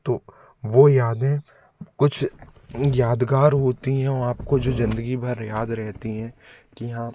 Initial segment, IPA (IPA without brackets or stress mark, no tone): t̪